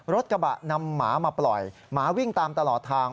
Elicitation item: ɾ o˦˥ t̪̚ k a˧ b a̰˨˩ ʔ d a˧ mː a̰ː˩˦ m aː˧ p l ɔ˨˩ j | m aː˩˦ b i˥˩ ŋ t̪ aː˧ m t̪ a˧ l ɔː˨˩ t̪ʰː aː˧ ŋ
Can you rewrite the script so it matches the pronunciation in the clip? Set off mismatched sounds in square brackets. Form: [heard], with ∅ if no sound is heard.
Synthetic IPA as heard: ɾ o˦˥ t̪̚ k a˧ b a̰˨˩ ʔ [n] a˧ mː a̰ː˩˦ m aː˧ p l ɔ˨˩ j | m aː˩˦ [w] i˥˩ ŋ t̪ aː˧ m t̪ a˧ l ɔː˨˩ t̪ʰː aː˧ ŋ